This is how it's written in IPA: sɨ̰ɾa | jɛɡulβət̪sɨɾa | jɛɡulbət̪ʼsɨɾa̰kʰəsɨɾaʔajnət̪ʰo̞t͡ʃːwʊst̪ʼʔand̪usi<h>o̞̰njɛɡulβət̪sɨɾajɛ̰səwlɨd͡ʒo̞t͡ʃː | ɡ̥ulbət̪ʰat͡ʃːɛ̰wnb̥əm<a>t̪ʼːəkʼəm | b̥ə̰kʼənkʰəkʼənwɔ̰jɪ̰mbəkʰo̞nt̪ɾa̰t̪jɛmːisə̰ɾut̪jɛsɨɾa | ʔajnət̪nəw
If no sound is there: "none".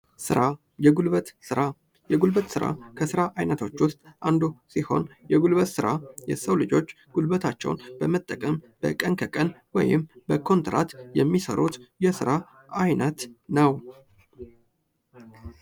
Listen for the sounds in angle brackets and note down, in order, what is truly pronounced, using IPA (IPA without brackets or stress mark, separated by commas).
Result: h, ə